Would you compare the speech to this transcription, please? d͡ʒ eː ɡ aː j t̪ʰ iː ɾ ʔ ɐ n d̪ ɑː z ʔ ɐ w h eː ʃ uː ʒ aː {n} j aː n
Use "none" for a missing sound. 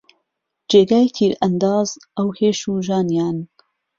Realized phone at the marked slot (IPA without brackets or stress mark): n